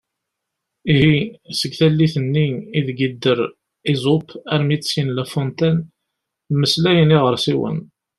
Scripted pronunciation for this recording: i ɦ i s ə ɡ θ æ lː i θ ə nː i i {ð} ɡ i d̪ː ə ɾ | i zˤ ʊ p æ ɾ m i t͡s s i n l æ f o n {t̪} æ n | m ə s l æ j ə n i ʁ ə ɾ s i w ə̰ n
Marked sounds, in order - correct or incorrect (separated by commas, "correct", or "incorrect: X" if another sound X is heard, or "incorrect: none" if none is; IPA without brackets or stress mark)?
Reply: correct, correct